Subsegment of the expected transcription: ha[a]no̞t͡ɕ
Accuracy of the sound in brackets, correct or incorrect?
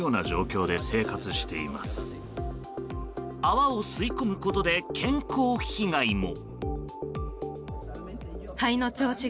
incorrect